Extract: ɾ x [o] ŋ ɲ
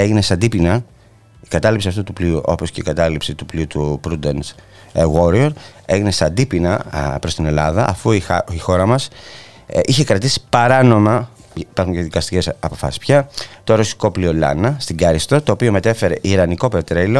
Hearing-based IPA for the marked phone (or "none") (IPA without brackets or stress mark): u